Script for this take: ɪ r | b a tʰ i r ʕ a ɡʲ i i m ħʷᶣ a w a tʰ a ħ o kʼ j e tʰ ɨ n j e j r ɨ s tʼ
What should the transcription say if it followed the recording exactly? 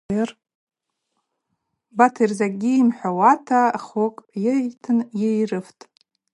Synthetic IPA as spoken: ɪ r | b a tʰ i r z a ɡʲ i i m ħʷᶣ a w a tʰ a χ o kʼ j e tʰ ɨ n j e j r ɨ f tʼ